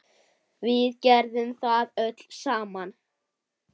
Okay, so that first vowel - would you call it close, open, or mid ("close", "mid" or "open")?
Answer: close